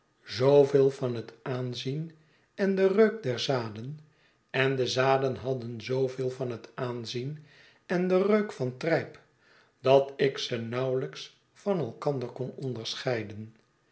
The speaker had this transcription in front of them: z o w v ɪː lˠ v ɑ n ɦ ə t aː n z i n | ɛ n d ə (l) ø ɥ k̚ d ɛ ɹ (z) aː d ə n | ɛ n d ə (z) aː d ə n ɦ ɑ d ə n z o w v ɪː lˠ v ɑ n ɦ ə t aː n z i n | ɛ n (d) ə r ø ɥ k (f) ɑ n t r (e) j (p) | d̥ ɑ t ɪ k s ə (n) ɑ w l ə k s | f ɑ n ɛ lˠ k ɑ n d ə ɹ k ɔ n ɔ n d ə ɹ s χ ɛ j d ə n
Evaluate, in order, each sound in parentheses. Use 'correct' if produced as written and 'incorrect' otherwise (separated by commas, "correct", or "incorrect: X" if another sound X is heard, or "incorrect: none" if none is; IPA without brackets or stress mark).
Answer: incorrect: r, correct, correct, correct, correct, incorrect: ɛ, correct, correct